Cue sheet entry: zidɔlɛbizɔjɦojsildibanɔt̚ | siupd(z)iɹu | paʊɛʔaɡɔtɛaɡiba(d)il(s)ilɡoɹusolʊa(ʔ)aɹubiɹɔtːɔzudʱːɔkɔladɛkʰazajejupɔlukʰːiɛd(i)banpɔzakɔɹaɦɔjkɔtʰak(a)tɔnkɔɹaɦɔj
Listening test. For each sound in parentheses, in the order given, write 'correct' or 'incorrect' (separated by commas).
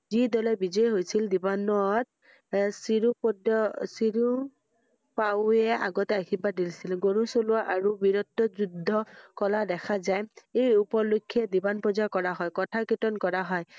incorrect, correct, correct, correct, correct, incorrect